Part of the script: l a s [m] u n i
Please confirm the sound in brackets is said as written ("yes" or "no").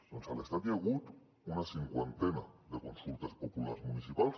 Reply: yes